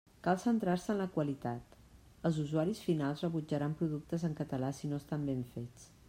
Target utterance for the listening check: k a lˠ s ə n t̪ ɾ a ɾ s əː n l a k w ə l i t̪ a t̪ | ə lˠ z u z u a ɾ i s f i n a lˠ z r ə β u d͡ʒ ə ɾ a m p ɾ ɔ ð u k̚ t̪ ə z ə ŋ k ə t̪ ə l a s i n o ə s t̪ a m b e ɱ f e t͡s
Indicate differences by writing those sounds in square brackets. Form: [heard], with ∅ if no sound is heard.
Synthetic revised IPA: k a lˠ s ə n t̪ ɾ a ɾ s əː n l [ə] k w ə l i t̪ a t̪ | ə lˠ z u z u a ɾ i s f i n a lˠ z r ə β u d͡ʒ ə ɾ a m p ɾ [u] ð u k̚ t̪ ə z ə ŋ k ə t̪ ə l a s i n o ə s t̪ a m b e ɱ f e t͡s